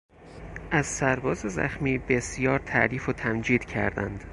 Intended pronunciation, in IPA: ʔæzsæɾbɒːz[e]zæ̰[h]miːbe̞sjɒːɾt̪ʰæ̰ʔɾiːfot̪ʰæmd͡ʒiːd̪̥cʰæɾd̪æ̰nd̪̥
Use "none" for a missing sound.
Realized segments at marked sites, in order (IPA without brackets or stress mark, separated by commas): e, x